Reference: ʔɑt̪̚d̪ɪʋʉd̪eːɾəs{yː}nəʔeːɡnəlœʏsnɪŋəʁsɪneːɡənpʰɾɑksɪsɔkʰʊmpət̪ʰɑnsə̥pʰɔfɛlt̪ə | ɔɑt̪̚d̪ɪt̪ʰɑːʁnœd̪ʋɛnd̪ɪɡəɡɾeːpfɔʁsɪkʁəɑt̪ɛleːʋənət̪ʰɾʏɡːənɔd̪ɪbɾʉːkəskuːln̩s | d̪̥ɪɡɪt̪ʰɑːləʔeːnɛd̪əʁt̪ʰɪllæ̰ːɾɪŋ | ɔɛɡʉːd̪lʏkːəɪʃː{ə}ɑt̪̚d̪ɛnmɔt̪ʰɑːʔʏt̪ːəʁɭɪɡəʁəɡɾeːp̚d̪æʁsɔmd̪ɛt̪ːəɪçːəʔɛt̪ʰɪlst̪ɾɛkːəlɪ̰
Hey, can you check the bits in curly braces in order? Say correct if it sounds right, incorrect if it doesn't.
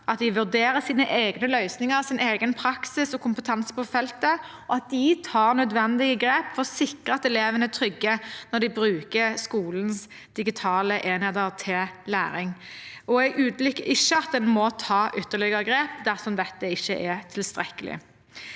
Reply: incorrect, correct

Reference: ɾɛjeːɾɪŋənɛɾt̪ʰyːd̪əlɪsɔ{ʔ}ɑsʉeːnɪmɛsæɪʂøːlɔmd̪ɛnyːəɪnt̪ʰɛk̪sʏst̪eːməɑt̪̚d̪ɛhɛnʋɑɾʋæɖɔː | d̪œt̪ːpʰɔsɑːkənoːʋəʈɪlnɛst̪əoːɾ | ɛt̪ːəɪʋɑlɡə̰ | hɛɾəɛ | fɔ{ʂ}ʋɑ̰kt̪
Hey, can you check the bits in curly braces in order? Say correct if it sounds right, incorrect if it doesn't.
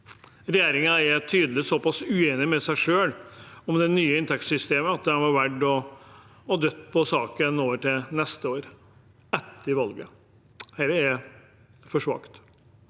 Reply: incorrect, correct

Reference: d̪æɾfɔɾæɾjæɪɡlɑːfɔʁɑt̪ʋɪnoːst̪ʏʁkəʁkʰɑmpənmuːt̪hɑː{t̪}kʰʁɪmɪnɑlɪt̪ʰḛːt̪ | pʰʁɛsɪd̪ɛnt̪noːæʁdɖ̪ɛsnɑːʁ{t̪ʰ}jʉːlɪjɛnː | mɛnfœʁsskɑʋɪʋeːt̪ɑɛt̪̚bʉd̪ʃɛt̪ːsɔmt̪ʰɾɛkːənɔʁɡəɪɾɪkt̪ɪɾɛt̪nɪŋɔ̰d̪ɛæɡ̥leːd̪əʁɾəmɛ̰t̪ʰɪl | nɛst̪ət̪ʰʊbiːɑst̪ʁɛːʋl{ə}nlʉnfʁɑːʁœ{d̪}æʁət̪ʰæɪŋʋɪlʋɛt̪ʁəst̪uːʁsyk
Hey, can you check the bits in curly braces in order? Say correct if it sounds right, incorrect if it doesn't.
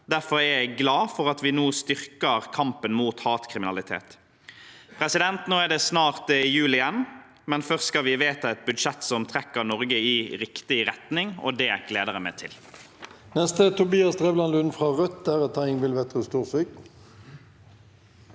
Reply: correct, incorrect, incorrect, incorrect

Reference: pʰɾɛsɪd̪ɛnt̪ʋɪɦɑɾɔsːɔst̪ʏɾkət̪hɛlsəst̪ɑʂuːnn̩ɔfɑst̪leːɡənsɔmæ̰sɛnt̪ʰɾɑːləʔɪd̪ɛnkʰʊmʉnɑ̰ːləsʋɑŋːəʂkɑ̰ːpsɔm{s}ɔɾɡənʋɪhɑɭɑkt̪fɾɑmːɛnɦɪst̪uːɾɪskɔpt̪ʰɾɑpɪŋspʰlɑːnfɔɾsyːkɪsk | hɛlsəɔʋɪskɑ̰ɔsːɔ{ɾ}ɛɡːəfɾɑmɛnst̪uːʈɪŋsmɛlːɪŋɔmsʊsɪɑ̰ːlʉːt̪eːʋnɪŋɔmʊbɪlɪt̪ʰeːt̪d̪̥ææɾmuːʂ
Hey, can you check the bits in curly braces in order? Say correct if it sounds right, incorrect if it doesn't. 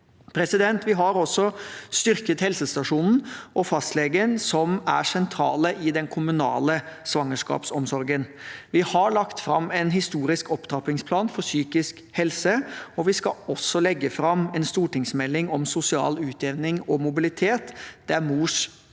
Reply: correct, incorrect

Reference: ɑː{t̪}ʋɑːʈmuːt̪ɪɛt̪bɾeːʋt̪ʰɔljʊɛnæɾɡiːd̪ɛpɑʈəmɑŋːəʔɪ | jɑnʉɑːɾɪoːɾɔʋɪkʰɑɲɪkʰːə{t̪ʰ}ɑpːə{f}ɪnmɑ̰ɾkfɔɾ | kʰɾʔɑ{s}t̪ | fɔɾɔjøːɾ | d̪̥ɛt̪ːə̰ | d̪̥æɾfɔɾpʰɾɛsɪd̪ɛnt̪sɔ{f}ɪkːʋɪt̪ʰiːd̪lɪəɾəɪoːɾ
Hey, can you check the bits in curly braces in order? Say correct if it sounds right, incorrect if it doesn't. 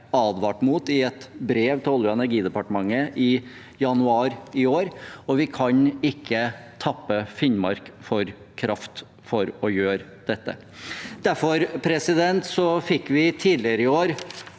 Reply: incorrect, correct, correct, incorrect, correct

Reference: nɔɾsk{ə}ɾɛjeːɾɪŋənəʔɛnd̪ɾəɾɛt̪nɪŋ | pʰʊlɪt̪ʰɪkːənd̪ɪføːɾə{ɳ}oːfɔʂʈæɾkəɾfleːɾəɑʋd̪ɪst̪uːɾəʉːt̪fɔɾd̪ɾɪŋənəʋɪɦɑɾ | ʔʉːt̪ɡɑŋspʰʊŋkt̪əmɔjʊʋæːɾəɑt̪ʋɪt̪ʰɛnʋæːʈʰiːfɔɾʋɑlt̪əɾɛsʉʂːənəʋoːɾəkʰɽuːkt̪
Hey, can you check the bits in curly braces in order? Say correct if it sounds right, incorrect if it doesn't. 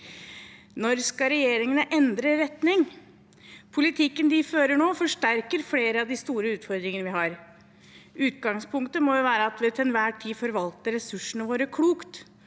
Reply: incorrect, correct

